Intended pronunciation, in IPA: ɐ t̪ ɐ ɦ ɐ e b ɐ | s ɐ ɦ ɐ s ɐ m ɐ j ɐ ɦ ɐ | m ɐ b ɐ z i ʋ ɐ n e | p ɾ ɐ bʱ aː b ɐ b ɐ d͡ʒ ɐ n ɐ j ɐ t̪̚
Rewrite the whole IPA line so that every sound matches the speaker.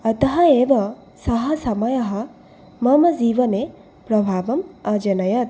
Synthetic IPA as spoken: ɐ t̪ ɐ ɦ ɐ e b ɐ | s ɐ ɦ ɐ s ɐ m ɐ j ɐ ɦ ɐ | m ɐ m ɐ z i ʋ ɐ n e | p ɾ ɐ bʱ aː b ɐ m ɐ d͡ʒ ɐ n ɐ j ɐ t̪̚